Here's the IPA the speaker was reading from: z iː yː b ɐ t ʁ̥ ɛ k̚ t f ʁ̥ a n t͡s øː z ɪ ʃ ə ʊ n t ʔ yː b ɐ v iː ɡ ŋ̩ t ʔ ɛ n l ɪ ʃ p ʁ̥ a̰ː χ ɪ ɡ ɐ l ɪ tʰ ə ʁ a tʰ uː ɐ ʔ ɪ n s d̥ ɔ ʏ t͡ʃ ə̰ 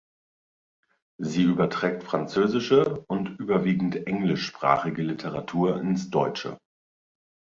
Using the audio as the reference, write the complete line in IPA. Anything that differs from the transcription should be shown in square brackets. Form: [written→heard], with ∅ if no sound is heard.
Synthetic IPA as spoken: z iː yː b ɐ t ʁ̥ [ɛ→ɛː] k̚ t f ʁ̥ a n t͡s øː z ɪ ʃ ə ʊ n t ʔ yː b ɐ v iː ɡ ŋ̩ t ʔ ɛ [n→ŋ] l ɪ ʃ p ʁ̥ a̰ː χ ɪ ɡ [ɐ→ə] l ɪ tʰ ə ʁ a tʰ uː ɐ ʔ ɪ n s d̥ ɔ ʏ t͡ʃ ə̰